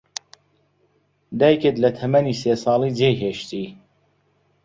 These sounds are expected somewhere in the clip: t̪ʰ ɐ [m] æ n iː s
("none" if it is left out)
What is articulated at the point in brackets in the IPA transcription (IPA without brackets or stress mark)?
m